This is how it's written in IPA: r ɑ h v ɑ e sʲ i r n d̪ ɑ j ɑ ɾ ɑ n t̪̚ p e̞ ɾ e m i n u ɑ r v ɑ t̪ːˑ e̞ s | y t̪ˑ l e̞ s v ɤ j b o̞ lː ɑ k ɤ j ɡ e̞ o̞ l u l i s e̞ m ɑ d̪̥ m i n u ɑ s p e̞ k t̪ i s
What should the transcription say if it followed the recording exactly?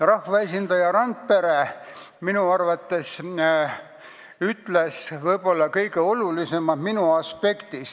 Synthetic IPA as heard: r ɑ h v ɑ e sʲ i n d̪ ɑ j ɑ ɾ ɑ n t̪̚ p e̞ ɾ e m i n u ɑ r v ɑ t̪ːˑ e̞ s | y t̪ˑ l e̞ s v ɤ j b o̞ lː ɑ k ɤ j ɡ e̞ o̞ l u l i s e̞ m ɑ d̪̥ m i n u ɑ s p e̞ k t̪ i s